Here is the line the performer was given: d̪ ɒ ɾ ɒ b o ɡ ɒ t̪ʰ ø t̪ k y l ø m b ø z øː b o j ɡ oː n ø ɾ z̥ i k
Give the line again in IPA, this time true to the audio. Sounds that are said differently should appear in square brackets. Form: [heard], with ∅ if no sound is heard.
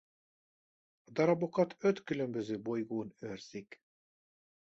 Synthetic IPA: d̪ ɒ ɾ ɒ b o [k] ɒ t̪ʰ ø t̪ k y l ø m b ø z øː b o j ɡ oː n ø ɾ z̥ i k